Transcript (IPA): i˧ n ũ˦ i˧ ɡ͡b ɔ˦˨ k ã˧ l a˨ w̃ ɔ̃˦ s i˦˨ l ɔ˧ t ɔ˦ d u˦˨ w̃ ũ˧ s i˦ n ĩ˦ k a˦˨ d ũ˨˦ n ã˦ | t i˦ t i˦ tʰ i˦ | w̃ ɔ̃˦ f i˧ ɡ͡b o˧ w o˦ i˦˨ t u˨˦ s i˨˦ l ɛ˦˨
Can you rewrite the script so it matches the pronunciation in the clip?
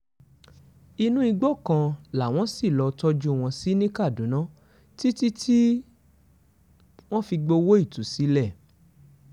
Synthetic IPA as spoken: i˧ n ũ˦ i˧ ɡ͡b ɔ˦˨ k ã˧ l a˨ w̃ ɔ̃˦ s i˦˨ l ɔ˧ t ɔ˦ d͡ʒ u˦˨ w̃ ɔ̃˧ s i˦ n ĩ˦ k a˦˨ d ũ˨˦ n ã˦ | t i˦ t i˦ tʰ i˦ | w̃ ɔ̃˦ f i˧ ɡ͡b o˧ w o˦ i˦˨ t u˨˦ s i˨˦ l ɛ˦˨